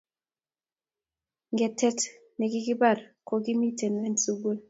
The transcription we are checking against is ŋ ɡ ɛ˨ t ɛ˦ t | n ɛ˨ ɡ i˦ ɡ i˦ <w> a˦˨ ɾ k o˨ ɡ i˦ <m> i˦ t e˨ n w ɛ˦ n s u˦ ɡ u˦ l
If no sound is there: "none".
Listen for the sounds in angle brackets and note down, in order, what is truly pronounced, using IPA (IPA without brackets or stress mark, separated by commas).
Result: b, m